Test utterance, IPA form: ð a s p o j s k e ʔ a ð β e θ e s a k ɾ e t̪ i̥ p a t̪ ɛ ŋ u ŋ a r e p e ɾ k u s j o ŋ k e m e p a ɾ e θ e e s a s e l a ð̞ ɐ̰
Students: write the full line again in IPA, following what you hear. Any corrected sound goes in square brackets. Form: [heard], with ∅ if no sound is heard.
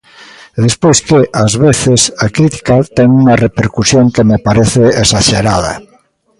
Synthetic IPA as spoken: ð [e] s p o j s k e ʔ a [z] β e θ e s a k ɾ [i] t̪ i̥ [k] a t̪ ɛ ŋ u ŋ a r e p e ɾ k u s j o ŋ k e m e p a ɾ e θ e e s a [ʃ] e [ɾ] a ð̞ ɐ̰